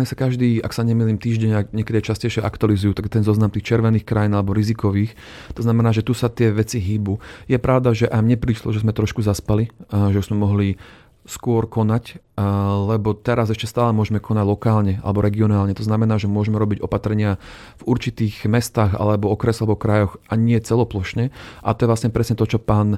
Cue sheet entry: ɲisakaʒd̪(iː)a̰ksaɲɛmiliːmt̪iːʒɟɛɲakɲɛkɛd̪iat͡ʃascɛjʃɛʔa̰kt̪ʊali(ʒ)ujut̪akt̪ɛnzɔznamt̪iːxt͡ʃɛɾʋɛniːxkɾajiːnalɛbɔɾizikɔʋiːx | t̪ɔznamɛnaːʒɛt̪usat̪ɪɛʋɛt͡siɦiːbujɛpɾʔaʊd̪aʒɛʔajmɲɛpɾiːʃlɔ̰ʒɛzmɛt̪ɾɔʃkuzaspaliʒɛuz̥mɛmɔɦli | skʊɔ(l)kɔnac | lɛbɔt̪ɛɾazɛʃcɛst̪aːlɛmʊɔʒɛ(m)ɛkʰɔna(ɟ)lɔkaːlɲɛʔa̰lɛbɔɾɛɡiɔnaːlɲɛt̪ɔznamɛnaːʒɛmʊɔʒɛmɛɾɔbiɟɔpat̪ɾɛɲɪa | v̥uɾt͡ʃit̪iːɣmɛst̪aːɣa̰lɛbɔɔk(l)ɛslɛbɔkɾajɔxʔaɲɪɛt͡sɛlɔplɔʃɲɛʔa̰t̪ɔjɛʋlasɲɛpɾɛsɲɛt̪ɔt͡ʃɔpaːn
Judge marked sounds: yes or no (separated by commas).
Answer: yes, no, no, yes, yes, no